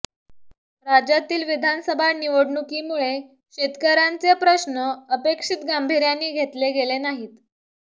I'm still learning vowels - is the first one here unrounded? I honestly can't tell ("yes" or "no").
yes